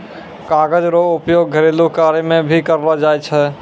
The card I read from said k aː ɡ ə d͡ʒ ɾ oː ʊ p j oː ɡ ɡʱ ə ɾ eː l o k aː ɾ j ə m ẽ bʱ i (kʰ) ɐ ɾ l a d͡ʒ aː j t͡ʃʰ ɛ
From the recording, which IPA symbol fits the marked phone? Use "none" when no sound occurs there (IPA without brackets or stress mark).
k